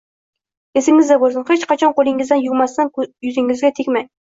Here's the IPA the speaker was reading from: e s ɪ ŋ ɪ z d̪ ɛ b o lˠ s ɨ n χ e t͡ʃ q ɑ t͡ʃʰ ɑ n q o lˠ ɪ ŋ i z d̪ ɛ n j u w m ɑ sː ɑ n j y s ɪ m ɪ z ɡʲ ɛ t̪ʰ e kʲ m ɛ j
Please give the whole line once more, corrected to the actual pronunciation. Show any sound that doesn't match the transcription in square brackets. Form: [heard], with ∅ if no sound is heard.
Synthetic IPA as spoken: e s ɪ ŋ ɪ z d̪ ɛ b o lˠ s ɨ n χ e t͡ʃ q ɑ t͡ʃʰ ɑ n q o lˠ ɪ ŋ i z d̪ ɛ n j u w m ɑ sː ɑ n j y [z] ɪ [ŋ] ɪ z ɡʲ ɛ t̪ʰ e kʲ m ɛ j